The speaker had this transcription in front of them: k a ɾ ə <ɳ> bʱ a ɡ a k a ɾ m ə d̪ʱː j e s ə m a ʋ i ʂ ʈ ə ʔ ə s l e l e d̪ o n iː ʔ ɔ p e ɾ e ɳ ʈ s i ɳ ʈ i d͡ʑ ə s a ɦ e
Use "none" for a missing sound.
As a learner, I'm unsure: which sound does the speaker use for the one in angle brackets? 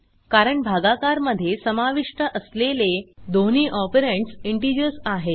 ɳ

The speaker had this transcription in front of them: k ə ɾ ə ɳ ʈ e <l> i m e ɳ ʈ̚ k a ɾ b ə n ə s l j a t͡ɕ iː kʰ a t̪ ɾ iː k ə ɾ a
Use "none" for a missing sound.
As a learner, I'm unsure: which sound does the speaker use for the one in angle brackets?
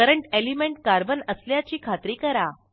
l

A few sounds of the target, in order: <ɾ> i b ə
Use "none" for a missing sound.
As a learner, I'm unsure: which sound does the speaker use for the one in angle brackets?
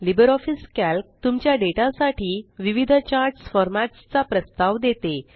l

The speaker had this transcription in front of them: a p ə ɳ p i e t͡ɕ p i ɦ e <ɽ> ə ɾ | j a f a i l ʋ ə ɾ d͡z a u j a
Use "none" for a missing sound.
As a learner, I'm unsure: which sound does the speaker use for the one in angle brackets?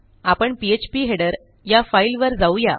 ɽ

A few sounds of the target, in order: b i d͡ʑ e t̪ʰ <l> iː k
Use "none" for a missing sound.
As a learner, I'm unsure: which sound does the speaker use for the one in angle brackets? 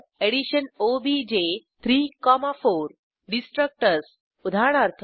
ɾ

